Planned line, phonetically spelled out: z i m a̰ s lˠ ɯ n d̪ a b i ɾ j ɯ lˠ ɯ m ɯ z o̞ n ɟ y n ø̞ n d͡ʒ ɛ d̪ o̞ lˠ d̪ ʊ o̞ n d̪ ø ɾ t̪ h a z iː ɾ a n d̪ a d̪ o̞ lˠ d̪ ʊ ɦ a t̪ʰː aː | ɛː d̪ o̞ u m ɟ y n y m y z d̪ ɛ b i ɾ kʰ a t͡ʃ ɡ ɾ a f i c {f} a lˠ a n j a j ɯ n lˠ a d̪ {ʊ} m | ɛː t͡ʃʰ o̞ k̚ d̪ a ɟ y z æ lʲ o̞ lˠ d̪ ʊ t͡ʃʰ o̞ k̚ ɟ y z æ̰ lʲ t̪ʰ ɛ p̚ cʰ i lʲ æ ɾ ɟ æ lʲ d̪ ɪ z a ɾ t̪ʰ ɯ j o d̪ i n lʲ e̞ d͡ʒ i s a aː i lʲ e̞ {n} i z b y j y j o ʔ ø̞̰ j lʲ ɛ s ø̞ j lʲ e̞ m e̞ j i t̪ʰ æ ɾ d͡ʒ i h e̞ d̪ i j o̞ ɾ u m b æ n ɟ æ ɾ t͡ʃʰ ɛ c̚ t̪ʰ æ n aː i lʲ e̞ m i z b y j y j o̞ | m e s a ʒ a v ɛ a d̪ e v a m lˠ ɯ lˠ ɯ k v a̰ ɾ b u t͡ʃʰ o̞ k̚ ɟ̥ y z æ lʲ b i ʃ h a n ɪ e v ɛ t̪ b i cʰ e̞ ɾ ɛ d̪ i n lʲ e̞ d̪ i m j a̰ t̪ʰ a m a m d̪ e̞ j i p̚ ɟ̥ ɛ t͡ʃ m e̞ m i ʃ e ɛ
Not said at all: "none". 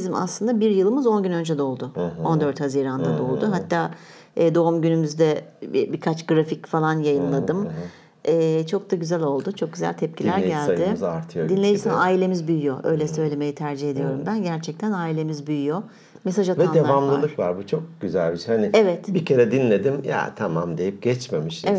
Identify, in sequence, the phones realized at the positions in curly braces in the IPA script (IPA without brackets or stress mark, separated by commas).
f, ɯ, m